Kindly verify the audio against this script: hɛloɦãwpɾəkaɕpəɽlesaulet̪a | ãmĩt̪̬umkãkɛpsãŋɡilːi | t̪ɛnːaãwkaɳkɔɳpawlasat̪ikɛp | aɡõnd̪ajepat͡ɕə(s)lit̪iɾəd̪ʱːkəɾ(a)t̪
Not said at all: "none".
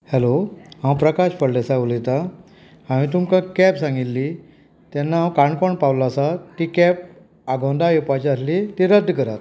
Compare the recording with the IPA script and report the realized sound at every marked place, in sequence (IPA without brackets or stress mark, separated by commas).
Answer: s, a